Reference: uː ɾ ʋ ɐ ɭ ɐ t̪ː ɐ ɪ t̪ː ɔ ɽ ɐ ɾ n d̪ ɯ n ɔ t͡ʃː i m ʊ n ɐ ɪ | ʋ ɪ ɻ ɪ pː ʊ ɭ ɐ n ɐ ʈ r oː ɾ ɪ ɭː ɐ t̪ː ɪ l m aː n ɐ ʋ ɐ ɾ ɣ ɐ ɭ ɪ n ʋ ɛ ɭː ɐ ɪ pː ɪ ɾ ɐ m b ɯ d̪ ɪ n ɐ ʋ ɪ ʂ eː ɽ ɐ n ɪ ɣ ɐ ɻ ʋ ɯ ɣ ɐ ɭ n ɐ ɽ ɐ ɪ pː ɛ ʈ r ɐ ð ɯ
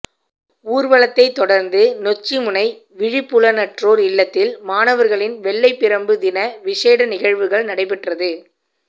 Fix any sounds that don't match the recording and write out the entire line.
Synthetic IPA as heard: uː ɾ ʋ ɐ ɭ ɐ t̪ː ɐ ɪ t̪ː ɔ ɽ ɐ ɾ n d̪ ɯ n ɔ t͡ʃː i m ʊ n ɐ ɪ | ʋ ɪ ɻ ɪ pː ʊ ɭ ɐ n ɐ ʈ r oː ɾ ɪ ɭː ɐ t̪ː ɪ l m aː n ɐ ʋ ɐ ɾ ɣ ɐ ɭ ɪ n ʋ ɛ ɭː ɐ ɪ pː ɪ ɾ ɐ m b ɯ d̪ ɪ n ɐ ʋ ɪ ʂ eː ɽ ɐ n ɪ ɣ ɐ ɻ ʋ ɯ ɣ ɐ ɭ n ɐ ɽ ɐ ɪ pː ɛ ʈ r ɐ ð ɯ

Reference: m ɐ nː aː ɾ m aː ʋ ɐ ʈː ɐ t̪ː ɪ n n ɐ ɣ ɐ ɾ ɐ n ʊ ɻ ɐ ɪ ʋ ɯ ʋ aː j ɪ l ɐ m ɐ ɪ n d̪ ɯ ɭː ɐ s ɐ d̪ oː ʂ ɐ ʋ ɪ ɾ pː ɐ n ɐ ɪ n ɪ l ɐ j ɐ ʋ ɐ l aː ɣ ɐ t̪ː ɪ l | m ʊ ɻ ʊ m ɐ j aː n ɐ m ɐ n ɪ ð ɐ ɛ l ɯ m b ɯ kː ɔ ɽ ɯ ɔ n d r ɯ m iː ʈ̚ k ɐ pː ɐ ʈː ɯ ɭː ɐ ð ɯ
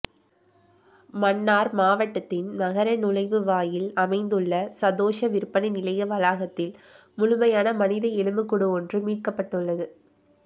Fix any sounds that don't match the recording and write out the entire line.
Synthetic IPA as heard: m ɐ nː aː ɾ m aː ʋ ɐ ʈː ɐ t̪ː ɪ n n ɐ ɣ ɐ ɾ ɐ n ʊ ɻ ɐ ɪ ʋ ɯ ʋ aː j ɪ l ɐ m ɐ ɪ n d̪ ɯ ɭː ɐ s ɐ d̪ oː ʂ ɐ ʋ ɪ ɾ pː ɐ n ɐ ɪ n ɪ l ɐ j ɐ ʋ ɐ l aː ɣ ɐ t̪ː ɪ l | m ʊ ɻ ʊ m ɐ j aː n ɐ m ɐ n ɪ ð ɐ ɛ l ɯ m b ɯ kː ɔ ɽ ɯ ɔ n d r ɯ m iː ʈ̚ k ɐ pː ɐ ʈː ɯ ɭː ɐ ð ɯ

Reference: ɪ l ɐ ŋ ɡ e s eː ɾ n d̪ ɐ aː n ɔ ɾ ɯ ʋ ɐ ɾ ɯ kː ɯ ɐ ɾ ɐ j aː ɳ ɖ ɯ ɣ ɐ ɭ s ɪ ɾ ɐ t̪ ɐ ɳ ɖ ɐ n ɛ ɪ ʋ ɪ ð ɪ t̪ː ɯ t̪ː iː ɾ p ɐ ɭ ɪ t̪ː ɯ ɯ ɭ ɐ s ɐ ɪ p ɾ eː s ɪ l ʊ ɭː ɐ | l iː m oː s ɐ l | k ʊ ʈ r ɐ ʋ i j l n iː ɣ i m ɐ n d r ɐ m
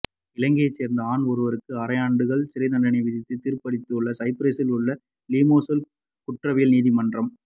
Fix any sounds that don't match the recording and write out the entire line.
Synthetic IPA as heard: ɪ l ɐ ŋ ɡ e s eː ɾ n d̪ ɐ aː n ɔ ɾ ɯ ʋ ɐ ɾ ɯ kː ɯ ɐ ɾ ɐ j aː ɳ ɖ ɯ ɣ ɐ ɭ s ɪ ɾ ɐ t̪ ɐ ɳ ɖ ɐ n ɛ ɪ ʋ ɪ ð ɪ t̪ː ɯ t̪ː iː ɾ p ɐ ɽ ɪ t̪ː ɯ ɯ ɭː ɐ s ɐ ɪ p ɾ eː s ɪ l ʊ ɭː ɐ | l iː m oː s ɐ l | k ʊ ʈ r ɐ ʋ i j l n iː ð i m ɐ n d r ɐ m

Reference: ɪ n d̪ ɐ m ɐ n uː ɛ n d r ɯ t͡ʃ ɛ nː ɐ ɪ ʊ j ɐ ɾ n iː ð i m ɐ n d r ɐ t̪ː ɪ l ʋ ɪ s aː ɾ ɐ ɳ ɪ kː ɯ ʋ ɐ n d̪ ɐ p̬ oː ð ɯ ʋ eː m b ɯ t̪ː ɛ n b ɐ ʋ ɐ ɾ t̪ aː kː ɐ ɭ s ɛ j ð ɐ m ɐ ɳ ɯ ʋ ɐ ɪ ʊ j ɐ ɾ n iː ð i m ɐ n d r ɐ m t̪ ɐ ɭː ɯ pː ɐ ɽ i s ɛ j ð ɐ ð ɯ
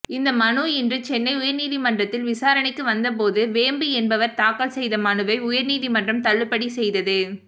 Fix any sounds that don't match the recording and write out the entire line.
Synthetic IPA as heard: ɪ n d̪ ɐ m ɐ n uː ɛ n d r ɯ t͡ʃ ɛ nː ɐ ɪ ʊ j ɐ ɾ n iː ð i m ɐ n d r ɐ t̪ː ɪ l ʋ ɪ s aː ɾ ɐ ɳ ɪ kː ɯ ʋ ɐ n d̪ ɐ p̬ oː ð ɯ ʋ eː m b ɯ ɛ n b ɐ ʋ ɐ ɾ t̪ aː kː ɐ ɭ s ɛ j ð ɐ m ɐ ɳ ɯ ʋ ɐ ɪ ʊ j ɐ ɾ n iː ð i m ɐ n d r ɐ m t̪ ɐ ɭː ɯ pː ɐ ɽ i s ɛ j ð ɐ ð ɯ

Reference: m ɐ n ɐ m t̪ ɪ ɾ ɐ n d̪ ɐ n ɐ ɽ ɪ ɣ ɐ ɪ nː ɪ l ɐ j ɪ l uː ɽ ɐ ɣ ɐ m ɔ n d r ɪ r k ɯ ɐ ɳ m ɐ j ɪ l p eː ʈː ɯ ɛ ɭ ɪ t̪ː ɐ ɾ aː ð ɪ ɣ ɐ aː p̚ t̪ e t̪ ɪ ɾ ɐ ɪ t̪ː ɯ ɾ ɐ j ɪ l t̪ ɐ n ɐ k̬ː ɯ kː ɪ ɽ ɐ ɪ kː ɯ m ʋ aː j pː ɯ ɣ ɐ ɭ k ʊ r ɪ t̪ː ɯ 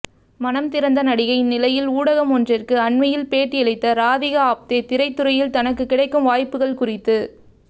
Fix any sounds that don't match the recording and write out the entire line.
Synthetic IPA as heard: m ɐ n ɐ m t̪ ɪ ɾ ɐ n d̪ ɐ n ɐ ɽ ɪ ɣ ɐ ɪ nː ɪ l ɐ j ɪ l uː ɽ ɐ ɣ ɐ m ɔ n d r ɪ r k ɯ ɐ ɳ m ɐ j ɪ l p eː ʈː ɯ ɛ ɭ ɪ t̪ː ɐ ɾ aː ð ɪ ɣ ɐ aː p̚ t̪ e t̪ ɪ ɾ ɐ ɪ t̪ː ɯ ɾ ɐ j ɪ l t̪ ɐ n ɐ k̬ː ɯ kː ɪ ɽ ɐ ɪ kː ɯ m ʋ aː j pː ɯ ɣ ɐ ɭ k ʊ r ɪ t̪ː ɯ

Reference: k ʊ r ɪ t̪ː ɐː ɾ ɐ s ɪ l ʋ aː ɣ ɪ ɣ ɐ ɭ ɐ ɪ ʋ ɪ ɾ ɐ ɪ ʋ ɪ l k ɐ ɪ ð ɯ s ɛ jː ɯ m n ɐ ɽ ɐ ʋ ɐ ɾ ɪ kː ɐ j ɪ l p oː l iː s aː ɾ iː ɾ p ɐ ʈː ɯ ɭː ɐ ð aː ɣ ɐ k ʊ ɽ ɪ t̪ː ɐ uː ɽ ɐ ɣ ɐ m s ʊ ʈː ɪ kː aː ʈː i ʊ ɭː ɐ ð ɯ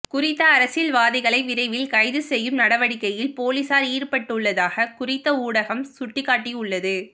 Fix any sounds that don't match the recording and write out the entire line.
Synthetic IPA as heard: k ʊ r ɪ t̪ː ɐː ɾ ɐ s ɪ l ʋ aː ð ɪ ɣ ɐ ɭ ɐ ɪ ʋ ɪ ɾ ɐ ɪ ʋ ɪ l k ɐ ɪ ð ɯ s ɛ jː ɯ m n ɐ ɽ ɐ ʋ ɐ ɽ ɪ kː ɐ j ɪ l p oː l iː s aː ɾ iː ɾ p ɐ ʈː ɯ ɭː ɐ ð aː ɣ ɐ k ʊ r ɪ t̪ː ɐ uː ɽ ɐ ɣ ɐ m s ʊ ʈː ɪ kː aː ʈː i ʊ ɭː ɐ ð ɯ

